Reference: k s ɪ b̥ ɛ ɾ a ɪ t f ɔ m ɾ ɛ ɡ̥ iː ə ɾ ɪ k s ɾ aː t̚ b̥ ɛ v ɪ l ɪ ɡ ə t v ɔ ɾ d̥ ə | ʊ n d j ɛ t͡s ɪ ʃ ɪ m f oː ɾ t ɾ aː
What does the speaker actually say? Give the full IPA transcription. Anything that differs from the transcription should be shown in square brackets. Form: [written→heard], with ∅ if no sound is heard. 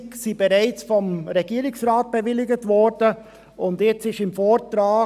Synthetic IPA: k s [ɪ→i] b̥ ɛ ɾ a ɪ [t→t͡s] f ɔ m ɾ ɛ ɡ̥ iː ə ɾ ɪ k s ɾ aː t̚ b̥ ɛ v ɪ l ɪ ɡ ə t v ɔ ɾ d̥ ə | ʊ n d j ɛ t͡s ɪ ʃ ɪ m f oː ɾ t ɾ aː